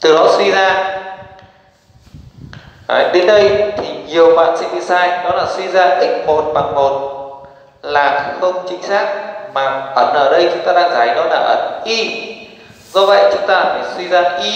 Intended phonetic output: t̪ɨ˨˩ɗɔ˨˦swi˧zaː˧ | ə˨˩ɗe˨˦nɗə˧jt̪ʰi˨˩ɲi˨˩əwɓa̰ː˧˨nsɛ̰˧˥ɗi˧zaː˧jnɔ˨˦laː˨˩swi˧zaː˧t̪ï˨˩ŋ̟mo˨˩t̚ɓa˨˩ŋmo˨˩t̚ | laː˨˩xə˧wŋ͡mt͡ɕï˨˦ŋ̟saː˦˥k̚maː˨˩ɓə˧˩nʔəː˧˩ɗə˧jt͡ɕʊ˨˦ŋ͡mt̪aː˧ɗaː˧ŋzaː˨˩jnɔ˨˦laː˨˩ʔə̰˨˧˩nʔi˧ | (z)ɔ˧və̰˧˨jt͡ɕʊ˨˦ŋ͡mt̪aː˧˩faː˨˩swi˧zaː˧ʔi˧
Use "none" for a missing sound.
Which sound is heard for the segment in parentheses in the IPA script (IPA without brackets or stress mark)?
z